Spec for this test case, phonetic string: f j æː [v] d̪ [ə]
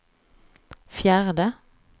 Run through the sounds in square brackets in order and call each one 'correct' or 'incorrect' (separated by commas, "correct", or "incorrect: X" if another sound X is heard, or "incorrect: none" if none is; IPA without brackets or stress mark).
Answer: incorrect: ʁ, correct